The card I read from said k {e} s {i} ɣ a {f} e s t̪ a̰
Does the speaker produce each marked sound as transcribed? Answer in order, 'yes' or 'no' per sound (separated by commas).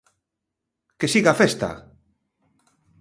yes, yes, yes